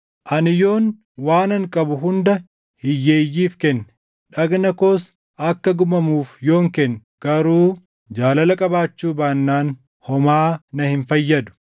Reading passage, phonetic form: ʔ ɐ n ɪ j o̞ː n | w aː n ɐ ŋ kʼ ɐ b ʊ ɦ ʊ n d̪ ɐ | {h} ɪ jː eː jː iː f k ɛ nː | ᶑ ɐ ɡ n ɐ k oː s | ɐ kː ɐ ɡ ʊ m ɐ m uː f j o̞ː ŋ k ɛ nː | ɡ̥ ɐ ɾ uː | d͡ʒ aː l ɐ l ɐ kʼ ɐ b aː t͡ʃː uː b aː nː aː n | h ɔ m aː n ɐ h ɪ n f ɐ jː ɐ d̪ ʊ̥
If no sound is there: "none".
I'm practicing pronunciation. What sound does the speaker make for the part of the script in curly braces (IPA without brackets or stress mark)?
h